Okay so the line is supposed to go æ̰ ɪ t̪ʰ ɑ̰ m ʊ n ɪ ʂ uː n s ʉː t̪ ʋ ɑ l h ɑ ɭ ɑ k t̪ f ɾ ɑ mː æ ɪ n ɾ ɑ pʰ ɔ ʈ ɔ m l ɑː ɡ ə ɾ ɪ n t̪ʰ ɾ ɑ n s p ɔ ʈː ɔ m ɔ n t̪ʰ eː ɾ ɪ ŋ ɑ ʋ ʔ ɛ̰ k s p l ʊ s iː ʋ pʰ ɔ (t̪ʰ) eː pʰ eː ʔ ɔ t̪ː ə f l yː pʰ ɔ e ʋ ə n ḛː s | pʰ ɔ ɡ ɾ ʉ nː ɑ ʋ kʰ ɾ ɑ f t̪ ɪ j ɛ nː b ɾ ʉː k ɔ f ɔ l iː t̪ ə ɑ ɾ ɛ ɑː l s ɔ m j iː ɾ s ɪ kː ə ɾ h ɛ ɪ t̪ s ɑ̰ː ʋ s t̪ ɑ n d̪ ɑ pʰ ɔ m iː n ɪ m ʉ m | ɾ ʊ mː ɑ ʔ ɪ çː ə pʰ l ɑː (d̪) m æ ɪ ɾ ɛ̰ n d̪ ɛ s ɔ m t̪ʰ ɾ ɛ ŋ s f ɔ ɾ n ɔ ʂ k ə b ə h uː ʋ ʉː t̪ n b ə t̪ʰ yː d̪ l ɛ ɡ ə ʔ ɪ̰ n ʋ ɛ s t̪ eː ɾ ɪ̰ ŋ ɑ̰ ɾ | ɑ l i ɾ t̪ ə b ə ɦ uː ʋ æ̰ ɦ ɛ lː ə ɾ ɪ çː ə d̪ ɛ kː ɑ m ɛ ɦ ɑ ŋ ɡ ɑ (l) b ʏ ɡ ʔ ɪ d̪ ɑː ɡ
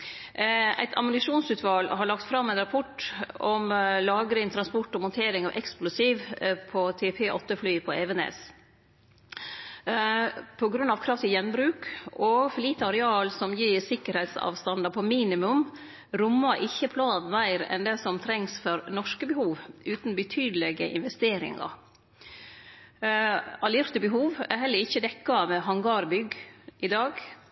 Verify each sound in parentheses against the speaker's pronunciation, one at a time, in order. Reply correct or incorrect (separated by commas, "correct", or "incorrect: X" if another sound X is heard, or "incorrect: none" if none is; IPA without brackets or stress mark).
correct, correct, incorrect: ɾ